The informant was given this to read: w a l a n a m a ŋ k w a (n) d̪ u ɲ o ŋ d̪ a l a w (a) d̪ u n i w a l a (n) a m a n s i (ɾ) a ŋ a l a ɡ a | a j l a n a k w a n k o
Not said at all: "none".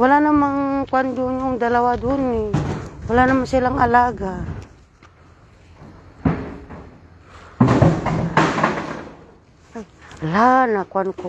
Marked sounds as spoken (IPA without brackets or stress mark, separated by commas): n, a, n, l